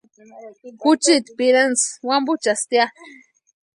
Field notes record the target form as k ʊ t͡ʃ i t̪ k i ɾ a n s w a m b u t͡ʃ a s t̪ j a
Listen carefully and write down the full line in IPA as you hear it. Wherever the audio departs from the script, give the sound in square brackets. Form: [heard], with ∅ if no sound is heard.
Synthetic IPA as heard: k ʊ t͡ʃ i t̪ [p] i ɾ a n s w a m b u t͡ʃ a s t̪ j a